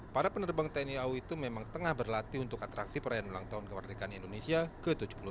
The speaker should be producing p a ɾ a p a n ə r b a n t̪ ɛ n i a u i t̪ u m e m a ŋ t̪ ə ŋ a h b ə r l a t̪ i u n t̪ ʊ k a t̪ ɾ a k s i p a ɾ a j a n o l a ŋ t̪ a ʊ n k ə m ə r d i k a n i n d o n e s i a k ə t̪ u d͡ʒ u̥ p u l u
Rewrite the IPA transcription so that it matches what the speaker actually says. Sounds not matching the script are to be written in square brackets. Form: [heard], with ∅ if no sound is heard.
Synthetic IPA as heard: p a ɾ a p [ə] n ə r b a [ŋ] t̪ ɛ n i a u i t̪ u m e m a ŋ t̪ ə ŋ a h b ə r l a t̪ i u n t̪ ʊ k a t̪ ɾ a k s i p [ə] ɾ a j a n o l a ŋ t̪ a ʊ n k ə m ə r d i k a n i n d o n e s i a k ə t̪ u d͡ʒ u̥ p u l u